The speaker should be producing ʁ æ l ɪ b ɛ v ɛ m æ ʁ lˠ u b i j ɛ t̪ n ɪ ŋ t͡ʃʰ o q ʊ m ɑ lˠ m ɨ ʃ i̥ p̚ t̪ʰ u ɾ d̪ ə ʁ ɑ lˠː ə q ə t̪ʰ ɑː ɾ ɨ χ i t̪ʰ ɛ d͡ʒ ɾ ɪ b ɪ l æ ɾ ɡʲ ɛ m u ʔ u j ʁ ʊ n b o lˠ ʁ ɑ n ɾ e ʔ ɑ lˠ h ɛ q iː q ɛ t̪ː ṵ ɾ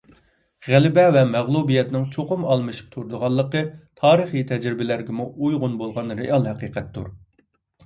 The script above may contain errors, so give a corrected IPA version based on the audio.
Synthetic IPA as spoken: ʁ æ l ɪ b ɛ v ɛ m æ ʁ lˠ u b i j ɛ t̪ n ɪ ŋ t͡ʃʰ o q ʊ m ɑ lˠ m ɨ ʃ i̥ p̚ t̪ʰ u ɾ d̪ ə ʁ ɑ lˠː ə q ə t̪ʰ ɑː ɾ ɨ χ i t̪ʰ ɛ d͡ʒ ɾ ɪ b ɪ l æ ɾ ɡʲ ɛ m u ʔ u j ʁ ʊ n b o lˠ ʁ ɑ n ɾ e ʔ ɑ lˠ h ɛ q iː q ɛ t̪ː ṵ ɾ